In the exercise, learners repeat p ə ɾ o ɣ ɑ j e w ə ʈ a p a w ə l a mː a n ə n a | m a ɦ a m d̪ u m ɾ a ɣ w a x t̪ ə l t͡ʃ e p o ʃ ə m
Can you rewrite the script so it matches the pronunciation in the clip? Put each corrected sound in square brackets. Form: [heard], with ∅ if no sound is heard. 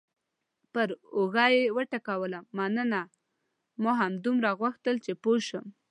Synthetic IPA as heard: p ə ɾ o ɣ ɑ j e w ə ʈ a [k] a w ə l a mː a n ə n a | m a ɦ a m d̪ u m ɾ a ɣ w a x t̪ ə l t͡ʃ e p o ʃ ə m

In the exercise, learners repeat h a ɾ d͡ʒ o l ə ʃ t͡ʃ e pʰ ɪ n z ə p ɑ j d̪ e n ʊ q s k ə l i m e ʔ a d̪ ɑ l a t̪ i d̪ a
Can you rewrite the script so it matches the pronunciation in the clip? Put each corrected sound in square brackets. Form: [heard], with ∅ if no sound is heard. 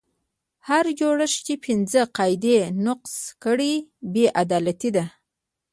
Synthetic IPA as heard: h a ɾ d͡ʒ o [ɽ] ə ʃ t͡ʃ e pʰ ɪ n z ə [q] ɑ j d̪ e n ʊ q s k ə [ɽ] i [b] e ʔ a d̪ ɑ l a t̪ i d̪ a

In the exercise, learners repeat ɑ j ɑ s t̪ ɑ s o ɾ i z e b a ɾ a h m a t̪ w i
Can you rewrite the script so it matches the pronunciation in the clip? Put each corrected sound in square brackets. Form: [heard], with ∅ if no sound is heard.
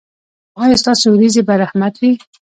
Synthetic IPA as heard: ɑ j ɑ s t̪ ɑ s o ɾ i z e b a ɾ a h m a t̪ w i

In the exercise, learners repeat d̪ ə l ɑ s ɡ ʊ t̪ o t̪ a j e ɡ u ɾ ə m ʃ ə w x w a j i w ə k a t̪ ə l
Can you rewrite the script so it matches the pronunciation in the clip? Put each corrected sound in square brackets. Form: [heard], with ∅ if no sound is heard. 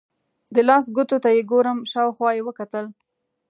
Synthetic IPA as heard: d̪ ə l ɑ s ɡ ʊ t̪ o t̪ a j e ɡ [o] ɾ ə m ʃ [ɑ] w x w [ɑ] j [e] w ə k a t̪ ə l

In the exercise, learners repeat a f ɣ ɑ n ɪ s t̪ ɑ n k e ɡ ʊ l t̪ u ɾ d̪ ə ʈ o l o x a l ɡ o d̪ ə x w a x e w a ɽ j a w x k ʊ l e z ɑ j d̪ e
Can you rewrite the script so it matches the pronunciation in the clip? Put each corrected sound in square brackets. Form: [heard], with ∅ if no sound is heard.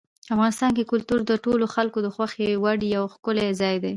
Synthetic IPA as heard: a f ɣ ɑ n ɪ s t̪ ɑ n k e [k] ʊ l t̪ u ɾ d̪ ə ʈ o l o x a l [k] o d̪ ə x w a x e w a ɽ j a w x k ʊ l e z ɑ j d̪ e

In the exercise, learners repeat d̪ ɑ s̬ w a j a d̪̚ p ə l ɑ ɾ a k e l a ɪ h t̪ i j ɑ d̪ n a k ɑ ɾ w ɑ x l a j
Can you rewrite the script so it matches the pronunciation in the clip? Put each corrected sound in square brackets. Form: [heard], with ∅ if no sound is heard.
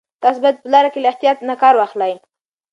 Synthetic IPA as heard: [t̪] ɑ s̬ [b] a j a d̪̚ p ə l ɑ ɾ a k e l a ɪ h t̪ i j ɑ [t̪] n a k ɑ ɾ w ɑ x l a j

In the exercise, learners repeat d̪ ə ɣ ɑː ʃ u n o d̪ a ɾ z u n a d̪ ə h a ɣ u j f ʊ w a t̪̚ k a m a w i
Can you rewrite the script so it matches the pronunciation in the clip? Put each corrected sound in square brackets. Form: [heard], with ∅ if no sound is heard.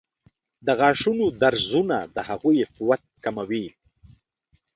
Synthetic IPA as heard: d̪ ə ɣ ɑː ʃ u n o d̪ a ɾ z u n a d̪ ə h a ɣ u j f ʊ w a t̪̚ k a m a w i

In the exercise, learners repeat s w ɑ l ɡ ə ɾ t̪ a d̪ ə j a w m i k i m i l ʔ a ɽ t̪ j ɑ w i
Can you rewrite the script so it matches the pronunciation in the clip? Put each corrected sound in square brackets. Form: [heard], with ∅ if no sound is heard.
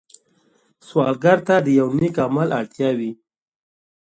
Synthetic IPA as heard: s w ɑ l ɡ [a] ɾ t̪ a d̪ ə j a w [n] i k [a] m [a] l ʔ a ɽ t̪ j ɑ w i

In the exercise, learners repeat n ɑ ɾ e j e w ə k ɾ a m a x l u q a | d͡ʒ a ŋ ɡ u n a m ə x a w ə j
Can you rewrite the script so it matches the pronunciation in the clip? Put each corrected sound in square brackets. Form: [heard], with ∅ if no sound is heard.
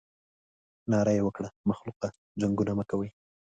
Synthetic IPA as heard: n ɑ ɾ [a] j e w ə k [ɽ] a m a x l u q a | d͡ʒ a ŋ ɡ u n a m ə [k] a w ə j

